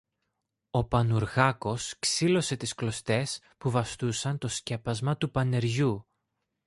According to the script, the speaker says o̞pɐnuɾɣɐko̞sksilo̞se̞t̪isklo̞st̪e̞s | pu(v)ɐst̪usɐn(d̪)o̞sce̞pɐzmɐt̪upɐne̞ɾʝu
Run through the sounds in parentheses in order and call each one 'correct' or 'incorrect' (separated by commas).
correct, incorrect